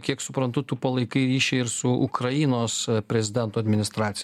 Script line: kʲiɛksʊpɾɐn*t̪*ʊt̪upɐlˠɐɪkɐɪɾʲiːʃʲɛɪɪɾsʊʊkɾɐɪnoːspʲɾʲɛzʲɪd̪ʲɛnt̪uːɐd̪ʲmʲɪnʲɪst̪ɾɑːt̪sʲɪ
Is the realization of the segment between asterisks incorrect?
no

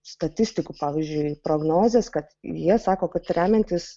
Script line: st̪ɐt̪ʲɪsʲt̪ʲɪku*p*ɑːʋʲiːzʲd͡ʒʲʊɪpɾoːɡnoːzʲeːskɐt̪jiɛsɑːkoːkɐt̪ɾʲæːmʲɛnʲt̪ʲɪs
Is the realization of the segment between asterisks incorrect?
no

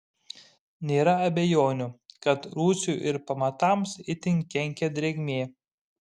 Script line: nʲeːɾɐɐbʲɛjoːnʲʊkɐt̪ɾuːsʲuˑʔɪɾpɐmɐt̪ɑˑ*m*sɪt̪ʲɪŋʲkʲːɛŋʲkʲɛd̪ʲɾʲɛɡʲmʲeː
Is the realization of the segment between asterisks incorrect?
no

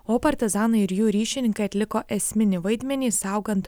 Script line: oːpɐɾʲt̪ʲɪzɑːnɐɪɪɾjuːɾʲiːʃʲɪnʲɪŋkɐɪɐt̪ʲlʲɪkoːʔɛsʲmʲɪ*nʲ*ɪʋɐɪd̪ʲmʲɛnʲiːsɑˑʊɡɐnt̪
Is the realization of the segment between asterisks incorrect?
no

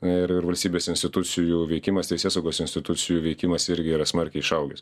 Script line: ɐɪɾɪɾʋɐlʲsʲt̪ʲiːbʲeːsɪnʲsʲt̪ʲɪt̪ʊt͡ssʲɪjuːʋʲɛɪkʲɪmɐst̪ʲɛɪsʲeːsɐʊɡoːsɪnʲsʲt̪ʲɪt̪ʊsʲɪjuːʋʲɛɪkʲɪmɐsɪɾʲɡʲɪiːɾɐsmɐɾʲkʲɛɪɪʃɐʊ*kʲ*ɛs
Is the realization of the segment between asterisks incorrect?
yes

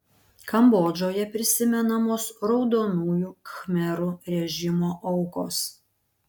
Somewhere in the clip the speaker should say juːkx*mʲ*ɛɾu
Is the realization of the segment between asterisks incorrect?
no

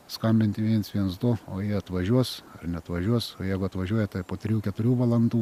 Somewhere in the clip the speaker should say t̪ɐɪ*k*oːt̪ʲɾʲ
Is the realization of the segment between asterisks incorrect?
yes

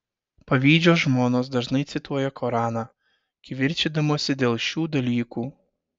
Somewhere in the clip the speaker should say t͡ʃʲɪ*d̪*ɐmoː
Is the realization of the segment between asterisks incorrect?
no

